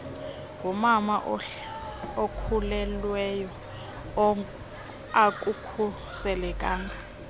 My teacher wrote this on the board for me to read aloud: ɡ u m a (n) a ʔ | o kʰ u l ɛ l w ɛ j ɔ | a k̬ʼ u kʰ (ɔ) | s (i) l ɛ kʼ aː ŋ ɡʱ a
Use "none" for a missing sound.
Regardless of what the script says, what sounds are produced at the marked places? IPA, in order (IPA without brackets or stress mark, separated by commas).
m, u, ɛ